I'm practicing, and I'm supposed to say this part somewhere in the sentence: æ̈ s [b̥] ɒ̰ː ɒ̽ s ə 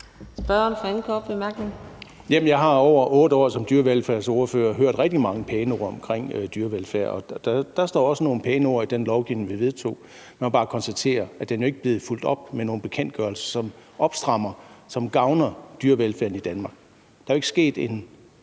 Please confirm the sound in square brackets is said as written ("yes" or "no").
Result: no